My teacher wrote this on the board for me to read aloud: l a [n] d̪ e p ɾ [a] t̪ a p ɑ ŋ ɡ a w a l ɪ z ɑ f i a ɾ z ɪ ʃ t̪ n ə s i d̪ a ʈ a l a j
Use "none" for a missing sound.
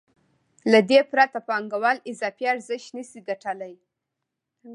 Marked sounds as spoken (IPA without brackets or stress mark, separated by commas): none, a